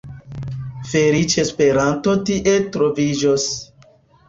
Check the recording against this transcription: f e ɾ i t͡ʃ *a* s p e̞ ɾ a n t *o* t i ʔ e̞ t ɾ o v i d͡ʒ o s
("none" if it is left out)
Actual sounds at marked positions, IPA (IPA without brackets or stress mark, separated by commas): e, o